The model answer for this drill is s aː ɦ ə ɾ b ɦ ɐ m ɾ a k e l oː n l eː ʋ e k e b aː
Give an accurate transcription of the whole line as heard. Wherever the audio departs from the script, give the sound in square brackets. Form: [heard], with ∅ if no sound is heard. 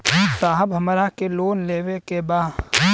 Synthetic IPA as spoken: s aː ɦ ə [∅] b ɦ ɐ m ɾ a k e l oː n l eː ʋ e k e b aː